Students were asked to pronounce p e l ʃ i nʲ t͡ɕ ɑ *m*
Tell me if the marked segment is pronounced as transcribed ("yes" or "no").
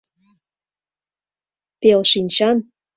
no